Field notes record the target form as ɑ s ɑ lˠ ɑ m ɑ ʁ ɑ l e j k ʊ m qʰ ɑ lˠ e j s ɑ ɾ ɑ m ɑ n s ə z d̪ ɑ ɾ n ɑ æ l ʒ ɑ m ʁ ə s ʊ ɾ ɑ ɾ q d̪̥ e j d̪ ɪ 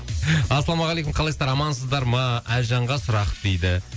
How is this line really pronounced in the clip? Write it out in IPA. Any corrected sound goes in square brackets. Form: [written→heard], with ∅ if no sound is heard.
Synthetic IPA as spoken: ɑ s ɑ lˠ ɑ m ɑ ʁ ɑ l e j k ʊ m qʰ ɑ lˠ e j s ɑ ɾ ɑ m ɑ n s ə z d̪ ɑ ɾ [n→m] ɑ æ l ʒ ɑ [m→ɴ] ʁ [ə→ɑ] s ʊ ɾ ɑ [ɾ→∅] q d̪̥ e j d̪ ɪ